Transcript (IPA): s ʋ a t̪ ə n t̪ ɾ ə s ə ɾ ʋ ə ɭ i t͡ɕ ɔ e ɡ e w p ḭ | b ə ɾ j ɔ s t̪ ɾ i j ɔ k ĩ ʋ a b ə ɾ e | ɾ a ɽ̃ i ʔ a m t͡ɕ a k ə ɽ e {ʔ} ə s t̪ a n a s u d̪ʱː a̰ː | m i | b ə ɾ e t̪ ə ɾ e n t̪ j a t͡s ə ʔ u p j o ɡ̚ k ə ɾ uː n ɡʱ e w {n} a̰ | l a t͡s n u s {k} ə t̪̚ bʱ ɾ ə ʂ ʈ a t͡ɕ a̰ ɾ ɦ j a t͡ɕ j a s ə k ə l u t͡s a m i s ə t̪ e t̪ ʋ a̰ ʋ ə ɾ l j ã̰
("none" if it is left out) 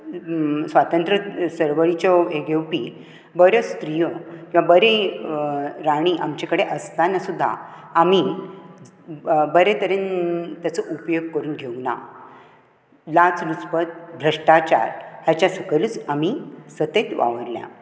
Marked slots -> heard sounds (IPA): ʔ, n, p

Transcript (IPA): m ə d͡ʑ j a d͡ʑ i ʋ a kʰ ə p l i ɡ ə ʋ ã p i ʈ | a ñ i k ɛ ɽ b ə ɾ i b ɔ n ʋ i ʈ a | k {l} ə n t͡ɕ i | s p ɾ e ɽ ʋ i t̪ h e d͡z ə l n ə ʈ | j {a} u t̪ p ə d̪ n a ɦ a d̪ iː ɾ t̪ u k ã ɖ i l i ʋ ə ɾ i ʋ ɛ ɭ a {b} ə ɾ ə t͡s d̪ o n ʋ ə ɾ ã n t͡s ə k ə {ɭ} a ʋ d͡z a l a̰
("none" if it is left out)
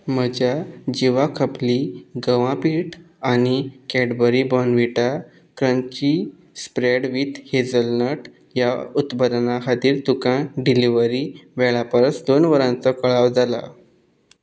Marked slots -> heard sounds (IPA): ɾ, a, p, ɭ

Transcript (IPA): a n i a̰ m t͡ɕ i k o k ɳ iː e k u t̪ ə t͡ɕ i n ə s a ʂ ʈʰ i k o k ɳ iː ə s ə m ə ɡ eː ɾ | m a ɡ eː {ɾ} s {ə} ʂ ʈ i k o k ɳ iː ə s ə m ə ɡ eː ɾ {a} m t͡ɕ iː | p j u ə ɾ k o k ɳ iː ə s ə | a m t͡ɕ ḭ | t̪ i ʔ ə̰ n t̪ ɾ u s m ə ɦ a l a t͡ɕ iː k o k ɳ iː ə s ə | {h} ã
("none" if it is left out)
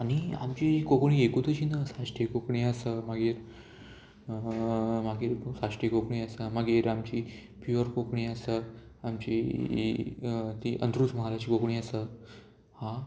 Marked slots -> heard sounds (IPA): ɾ, a, a, h

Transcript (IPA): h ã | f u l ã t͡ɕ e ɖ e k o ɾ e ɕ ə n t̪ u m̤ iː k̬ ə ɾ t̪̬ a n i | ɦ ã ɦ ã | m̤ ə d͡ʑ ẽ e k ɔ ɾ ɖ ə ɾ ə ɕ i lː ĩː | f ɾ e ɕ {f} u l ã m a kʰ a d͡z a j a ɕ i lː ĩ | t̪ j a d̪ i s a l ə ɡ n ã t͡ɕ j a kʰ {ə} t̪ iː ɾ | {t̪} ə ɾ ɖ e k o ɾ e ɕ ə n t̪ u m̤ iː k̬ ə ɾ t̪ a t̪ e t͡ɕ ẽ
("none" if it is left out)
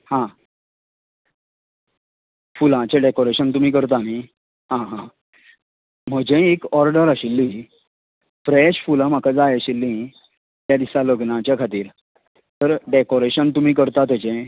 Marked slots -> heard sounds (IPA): f, a, t̪

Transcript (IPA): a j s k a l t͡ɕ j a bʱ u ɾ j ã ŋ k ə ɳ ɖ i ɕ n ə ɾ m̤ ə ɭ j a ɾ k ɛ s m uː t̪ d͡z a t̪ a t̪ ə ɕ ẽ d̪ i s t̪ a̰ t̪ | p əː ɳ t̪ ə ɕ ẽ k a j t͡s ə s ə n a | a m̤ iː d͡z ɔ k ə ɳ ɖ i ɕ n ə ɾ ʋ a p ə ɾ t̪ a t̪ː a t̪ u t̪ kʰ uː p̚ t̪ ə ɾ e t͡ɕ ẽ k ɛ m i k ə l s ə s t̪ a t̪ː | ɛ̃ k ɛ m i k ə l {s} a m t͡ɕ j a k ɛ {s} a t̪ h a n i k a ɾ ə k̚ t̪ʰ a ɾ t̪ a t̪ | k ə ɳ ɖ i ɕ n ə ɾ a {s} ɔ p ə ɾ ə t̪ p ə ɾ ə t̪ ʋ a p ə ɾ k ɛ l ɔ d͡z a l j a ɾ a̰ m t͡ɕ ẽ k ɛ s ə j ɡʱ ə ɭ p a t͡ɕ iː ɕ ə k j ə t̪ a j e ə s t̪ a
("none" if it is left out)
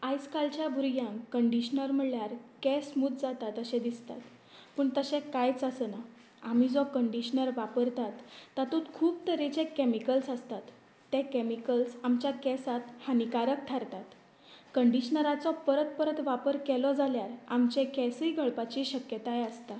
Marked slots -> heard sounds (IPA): s, s, t͡s

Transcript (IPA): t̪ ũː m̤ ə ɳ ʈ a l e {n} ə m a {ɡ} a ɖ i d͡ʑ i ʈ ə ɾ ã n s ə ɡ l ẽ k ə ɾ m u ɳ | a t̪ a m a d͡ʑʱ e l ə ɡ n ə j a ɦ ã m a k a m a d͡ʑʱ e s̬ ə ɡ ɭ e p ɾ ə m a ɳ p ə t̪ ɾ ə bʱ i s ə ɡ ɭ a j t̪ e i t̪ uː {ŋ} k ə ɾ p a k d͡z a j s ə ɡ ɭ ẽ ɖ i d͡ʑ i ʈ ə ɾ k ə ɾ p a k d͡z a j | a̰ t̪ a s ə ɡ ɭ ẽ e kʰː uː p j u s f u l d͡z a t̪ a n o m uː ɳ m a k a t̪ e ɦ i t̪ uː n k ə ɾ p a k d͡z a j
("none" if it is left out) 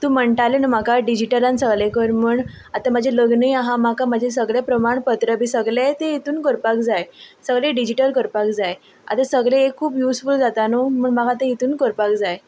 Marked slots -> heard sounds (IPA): n, k, n

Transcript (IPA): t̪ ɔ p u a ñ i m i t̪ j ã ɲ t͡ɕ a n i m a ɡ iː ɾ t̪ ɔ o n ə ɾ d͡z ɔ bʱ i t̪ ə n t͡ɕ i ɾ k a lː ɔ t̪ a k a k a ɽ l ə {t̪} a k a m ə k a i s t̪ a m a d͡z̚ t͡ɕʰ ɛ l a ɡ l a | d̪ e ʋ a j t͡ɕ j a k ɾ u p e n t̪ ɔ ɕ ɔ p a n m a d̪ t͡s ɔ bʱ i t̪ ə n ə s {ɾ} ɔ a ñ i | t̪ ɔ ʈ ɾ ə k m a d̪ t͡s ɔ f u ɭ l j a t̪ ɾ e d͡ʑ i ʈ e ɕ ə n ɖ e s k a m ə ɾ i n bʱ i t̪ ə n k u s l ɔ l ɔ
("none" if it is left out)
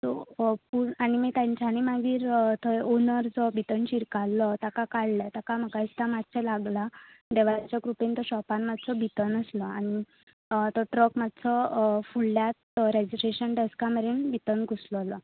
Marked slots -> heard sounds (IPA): t̪, l

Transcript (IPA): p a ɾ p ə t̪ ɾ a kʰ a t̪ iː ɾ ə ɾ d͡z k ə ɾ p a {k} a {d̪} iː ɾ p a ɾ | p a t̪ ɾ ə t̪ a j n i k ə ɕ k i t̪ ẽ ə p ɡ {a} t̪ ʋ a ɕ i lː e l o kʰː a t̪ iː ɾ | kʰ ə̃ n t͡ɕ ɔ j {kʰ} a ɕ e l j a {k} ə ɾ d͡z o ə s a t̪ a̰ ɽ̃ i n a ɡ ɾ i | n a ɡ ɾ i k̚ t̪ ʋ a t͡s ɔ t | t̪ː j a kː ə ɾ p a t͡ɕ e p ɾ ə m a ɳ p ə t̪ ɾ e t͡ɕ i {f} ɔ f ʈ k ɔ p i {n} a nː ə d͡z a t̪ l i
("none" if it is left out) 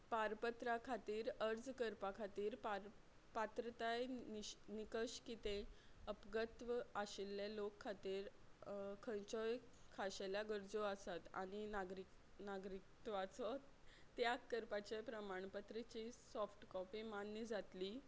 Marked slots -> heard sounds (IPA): kʰ, t̪, ə, kʰ, ɡ, s, m

